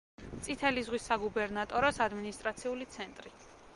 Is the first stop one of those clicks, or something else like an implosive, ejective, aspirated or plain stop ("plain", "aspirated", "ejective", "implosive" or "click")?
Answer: plain